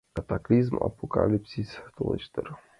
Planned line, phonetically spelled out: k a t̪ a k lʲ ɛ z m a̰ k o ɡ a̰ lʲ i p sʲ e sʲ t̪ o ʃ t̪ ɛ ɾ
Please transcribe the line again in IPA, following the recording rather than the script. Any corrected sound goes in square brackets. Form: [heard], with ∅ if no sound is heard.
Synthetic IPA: k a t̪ a k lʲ [i] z m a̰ [p] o [k] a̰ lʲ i p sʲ [i] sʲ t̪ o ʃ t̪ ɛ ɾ